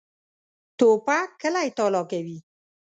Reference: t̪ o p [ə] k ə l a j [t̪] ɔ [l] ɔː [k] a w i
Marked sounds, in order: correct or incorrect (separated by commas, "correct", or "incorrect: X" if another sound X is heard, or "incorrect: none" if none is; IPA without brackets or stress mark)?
incorrect: a, correct, correct, correct